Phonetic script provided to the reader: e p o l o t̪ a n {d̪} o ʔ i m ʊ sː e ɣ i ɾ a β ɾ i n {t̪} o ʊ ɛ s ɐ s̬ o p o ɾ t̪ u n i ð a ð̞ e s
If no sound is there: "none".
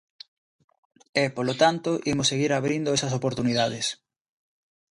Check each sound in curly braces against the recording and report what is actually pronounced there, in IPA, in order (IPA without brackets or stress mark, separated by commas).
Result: t̪, d̪